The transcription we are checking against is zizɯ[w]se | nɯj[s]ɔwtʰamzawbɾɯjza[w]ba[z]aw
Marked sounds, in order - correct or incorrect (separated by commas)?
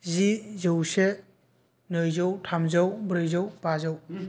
correct, incorrect, correct, correct